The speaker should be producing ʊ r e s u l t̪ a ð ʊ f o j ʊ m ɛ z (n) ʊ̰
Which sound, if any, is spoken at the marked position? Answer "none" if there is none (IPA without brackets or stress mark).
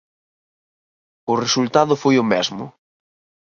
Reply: m